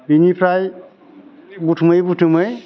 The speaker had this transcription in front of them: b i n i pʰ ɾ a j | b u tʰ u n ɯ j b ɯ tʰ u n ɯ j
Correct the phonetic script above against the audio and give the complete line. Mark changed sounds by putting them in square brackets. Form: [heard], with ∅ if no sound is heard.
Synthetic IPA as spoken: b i n i pʰ ɾ a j | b u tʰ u [m] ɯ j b [u] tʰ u [m] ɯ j